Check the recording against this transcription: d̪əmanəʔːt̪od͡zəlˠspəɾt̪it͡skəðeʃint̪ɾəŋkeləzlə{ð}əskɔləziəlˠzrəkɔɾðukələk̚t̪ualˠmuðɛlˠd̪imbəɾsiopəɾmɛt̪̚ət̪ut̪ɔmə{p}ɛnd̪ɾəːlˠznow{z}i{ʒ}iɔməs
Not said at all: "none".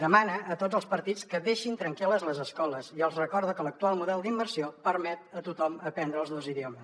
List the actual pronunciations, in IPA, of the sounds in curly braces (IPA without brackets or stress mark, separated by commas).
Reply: z, p, z, ð